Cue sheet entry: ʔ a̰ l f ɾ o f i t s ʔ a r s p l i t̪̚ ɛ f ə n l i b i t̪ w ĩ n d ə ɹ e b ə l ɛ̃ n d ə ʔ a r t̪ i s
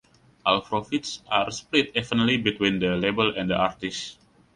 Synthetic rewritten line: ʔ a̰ l f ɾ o f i t s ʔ a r s p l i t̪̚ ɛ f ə n l i b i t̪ w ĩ n d ə l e b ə l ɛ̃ n d ə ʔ a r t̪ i s